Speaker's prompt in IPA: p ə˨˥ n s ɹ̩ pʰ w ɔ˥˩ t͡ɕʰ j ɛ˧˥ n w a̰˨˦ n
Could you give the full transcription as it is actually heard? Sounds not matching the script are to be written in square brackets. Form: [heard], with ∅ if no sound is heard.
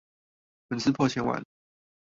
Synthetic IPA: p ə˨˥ n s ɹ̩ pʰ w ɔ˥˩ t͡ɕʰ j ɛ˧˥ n w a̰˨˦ n